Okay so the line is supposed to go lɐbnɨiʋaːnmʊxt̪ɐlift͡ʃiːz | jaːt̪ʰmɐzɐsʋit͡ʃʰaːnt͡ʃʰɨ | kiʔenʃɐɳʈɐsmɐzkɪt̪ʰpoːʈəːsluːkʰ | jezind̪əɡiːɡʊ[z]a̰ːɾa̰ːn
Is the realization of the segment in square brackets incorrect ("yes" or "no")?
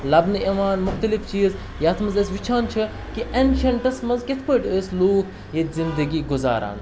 no